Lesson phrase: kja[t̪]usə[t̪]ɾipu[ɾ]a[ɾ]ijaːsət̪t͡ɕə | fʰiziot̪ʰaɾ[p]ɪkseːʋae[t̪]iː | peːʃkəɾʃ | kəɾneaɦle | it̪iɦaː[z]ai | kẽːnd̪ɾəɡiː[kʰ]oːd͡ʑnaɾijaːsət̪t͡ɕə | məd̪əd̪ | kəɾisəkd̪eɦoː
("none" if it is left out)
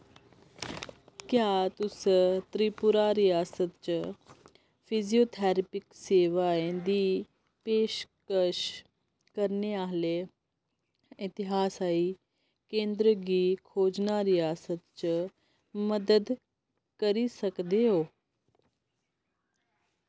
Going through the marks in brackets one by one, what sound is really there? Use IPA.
t̪, t̪, ɾ, ɾ, p, d̪, s, kʰ

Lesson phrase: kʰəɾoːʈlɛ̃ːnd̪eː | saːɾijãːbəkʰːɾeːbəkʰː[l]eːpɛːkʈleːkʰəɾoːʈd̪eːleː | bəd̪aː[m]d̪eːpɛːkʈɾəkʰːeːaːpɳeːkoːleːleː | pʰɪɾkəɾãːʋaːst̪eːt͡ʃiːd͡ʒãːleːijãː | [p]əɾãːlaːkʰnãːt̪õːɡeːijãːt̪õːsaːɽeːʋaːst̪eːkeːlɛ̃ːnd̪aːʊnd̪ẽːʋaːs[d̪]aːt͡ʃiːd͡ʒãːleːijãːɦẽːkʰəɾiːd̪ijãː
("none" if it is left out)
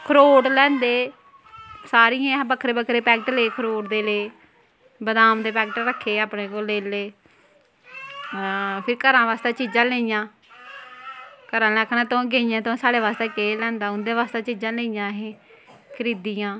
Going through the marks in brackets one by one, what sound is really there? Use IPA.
ɾ, m, k, t̪

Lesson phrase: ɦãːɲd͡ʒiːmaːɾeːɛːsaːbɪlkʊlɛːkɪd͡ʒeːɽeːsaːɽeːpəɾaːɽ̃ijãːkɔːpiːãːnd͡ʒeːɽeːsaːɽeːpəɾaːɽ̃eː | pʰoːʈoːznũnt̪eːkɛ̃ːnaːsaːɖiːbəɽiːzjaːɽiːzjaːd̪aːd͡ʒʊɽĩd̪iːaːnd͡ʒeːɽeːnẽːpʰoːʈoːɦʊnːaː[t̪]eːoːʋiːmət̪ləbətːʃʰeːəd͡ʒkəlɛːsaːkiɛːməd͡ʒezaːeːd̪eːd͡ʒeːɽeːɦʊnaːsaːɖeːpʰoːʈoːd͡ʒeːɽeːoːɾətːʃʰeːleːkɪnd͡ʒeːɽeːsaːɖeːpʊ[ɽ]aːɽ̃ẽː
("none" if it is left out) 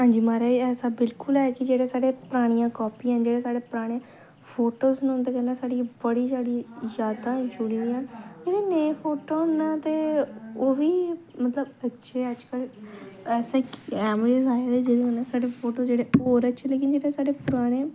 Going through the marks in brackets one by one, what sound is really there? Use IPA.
t̪, ɾ

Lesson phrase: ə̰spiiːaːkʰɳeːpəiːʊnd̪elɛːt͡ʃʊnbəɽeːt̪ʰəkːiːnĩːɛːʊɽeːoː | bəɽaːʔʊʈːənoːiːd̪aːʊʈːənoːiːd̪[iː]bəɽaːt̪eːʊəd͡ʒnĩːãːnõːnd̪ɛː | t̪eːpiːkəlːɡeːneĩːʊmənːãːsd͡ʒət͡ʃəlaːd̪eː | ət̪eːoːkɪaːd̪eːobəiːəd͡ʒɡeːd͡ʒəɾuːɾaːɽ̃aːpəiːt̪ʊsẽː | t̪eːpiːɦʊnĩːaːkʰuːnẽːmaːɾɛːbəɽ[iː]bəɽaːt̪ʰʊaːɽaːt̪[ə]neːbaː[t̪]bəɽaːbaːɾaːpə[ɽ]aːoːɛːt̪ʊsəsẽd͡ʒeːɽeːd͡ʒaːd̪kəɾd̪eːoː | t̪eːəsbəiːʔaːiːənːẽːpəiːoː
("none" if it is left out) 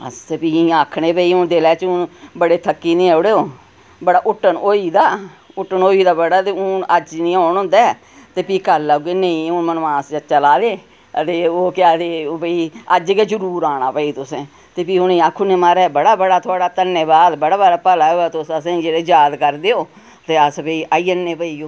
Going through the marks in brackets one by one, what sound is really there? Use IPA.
aː, aː, ə, d̪, l

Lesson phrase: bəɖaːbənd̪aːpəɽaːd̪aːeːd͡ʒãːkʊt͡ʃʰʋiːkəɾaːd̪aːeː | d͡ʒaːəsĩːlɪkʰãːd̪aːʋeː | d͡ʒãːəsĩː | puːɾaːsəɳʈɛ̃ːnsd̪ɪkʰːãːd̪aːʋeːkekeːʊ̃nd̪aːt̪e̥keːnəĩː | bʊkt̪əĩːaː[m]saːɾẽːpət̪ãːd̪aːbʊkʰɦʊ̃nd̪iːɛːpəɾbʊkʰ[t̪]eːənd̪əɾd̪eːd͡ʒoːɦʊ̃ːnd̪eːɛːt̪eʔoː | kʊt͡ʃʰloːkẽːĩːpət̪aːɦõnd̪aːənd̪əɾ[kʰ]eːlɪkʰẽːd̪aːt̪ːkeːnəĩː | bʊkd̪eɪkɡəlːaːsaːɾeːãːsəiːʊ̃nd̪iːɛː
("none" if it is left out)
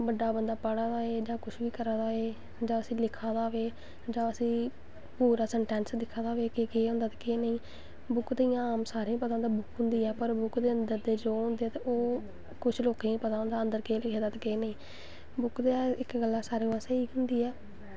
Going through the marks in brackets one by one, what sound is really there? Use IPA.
m, d̪, k

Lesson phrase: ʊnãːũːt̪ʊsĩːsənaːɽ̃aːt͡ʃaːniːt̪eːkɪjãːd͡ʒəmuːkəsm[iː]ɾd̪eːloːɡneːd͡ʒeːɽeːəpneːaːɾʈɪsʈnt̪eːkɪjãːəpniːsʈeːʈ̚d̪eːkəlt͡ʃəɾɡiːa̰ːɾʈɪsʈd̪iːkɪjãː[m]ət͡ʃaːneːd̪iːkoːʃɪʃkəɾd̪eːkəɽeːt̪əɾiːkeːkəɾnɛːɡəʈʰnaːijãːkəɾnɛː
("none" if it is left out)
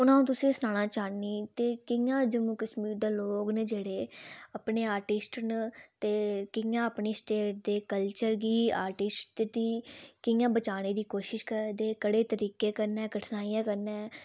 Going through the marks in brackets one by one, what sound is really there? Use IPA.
iː, b

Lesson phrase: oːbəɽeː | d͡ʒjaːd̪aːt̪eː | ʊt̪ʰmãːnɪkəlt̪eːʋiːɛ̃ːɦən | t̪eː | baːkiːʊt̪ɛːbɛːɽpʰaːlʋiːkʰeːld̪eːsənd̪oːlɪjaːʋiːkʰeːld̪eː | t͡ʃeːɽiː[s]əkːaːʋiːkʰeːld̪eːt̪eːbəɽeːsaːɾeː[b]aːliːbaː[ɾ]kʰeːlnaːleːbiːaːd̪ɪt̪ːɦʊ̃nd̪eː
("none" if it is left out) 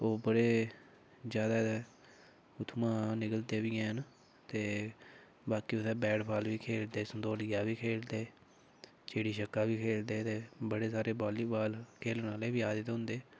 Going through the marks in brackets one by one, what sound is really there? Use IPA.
ʃ, b, l

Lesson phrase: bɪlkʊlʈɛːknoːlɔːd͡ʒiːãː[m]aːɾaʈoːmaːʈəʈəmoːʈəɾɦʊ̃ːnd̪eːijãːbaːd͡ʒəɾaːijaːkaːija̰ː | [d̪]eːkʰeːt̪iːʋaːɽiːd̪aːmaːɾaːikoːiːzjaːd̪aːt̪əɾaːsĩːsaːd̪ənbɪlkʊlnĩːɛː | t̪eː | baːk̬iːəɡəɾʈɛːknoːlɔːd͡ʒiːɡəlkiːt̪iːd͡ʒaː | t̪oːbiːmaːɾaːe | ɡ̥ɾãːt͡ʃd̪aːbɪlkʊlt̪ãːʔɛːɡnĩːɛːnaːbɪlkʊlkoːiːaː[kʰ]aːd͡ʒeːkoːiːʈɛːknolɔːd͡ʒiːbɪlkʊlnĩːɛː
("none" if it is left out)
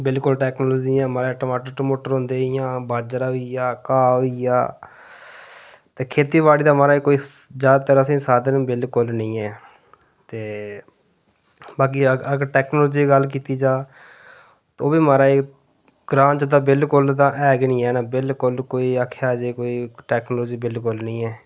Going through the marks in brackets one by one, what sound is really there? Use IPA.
m, t̪, kʰ

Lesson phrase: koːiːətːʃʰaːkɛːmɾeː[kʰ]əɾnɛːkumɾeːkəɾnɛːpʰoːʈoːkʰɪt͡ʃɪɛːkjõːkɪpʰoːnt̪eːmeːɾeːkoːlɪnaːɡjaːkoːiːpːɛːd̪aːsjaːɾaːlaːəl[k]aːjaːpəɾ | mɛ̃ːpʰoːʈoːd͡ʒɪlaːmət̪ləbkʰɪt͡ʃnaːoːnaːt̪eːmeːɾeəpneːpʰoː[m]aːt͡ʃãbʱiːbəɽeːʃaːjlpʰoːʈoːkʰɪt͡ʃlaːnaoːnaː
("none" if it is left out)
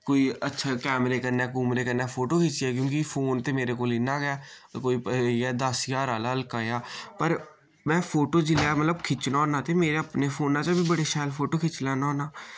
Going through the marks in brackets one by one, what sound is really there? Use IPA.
k, k, n

